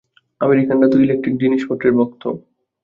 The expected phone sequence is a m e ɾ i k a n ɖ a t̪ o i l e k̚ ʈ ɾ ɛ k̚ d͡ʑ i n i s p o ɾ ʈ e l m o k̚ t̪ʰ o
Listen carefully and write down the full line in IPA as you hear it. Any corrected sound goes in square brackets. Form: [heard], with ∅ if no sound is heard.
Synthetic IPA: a m e ɾ i k a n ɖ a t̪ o i l e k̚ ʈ ɾ [i] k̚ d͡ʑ i n i [ʃ] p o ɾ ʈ e [ɾ] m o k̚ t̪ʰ o